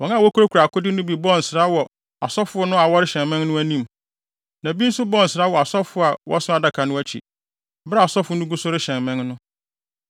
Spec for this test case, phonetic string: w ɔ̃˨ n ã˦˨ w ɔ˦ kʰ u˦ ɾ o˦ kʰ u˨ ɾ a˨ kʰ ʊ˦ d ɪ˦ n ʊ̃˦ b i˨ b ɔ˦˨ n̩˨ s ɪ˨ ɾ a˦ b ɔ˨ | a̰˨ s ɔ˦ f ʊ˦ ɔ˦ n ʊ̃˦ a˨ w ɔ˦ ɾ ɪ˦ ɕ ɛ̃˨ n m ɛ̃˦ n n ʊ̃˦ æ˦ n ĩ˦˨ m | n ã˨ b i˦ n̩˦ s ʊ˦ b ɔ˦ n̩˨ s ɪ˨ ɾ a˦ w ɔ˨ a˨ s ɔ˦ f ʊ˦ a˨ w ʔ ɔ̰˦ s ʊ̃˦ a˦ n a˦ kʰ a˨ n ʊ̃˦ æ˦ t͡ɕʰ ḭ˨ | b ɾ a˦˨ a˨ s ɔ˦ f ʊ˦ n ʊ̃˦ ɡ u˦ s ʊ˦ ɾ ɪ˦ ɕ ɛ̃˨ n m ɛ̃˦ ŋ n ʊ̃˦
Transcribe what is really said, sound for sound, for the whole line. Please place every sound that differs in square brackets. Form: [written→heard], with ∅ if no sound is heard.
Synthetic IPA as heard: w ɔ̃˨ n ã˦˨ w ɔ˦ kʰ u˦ ɾ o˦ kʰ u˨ ɾ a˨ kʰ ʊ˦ d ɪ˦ n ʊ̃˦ b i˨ b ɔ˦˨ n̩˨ s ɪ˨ ɾ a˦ [b→w] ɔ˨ | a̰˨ s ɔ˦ f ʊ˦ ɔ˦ n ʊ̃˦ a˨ w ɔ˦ ɾ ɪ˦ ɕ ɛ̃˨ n m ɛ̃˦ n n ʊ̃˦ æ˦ n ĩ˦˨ m | n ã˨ b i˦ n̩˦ s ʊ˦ b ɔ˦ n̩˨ s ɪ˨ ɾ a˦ w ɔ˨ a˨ s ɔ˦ f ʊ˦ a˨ w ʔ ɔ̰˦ s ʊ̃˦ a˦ [n→d] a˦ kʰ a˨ n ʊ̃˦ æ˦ t͡ɕʰ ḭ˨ | b ɾ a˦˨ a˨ s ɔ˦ f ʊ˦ n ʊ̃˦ ɡ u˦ s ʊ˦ ɾ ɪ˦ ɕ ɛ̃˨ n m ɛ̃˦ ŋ n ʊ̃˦

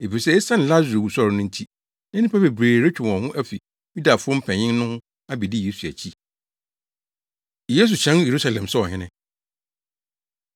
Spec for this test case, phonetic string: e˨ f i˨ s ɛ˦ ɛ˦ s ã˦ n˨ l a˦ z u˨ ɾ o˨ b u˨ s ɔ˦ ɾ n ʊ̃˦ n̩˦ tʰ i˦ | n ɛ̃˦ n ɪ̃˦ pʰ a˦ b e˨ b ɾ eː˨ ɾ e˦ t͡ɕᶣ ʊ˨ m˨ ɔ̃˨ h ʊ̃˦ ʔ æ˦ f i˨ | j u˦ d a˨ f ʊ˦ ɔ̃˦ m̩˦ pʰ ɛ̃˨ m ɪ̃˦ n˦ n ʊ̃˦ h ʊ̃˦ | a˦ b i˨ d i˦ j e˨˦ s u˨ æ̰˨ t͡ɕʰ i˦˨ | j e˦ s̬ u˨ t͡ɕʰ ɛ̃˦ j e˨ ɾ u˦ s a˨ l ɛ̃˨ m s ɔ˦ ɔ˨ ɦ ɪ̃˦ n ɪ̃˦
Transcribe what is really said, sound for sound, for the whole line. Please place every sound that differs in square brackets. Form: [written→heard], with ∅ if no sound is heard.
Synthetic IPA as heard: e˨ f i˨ s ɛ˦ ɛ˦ s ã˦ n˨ l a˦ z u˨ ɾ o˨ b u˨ s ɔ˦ ɾ n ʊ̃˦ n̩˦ tʰ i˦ | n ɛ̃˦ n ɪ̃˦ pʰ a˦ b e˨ b ɾ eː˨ ɾ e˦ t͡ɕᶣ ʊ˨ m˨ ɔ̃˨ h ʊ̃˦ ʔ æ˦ f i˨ | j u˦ d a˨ f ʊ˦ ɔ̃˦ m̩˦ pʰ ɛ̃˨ [m→ɲ] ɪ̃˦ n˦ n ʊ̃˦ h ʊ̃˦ | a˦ b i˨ d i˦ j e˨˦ s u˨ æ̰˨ t͡ɕʰ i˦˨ | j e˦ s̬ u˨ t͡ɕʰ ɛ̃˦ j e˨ ɾ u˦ s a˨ l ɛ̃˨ m s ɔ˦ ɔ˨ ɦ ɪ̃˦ n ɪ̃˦

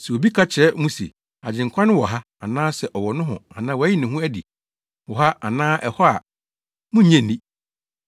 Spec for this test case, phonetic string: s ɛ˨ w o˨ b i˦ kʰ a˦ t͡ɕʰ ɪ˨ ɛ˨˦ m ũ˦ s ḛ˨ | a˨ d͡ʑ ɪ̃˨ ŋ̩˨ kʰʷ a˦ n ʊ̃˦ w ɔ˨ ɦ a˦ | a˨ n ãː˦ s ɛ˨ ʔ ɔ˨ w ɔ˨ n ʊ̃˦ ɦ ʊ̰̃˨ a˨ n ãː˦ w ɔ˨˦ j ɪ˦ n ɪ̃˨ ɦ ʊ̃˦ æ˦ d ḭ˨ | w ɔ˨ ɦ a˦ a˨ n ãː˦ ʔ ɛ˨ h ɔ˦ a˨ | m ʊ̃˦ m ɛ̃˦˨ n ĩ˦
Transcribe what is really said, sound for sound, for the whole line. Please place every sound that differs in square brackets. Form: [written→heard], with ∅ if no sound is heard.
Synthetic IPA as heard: s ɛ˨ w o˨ b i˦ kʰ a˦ t͡ɕʰ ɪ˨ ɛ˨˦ m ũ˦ s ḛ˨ | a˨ d͡ʑ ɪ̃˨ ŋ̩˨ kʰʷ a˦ n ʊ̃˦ w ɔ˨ ɦ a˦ | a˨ n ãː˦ s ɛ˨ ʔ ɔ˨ w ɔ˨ n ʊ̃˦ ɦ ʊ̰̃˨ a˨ n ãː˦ w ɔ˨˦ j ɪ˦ n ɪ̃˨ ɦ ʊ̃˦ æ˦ d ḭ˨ | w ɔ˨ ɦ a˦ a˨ n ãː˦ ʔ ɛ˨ h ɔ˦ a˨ | m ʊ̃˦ [m→ɲ] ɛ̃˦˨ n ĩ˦

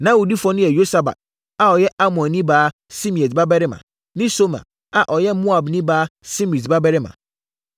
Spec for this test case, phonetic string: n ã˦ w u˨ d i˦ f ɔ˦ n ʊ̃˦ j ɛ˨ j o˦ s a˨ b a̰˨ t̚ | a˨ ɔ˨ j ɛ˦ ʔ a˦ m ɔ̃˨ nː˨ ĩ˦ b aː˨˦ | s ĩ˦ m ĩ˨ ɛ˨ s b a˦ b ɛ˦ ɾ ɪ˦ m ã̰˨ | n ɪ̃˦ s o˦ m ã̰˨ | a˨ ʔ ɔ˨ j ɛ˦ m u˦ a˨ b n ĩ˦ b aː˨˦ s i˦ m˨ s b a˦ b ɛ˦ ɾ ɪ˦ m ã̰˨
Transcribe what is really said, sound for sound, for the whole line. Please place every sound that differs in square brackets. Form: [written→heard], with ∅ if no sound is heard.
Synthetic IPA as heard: n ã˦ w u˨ d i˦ f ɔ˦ n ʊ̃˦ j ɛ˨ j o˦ s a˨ b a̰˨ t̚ | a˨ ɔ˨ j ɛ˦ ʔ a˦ m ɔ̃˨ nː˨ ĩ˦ b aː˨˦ | s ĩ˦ m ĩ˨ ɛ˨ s b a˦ b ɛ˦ ɾ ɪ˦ m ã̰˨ | n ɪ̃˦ s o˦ m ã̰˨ | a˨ ʔ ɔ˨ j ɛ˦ m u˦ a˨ b n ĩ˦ b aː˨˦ s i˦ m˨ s b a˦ b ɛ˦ ɾ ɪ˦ m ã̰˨

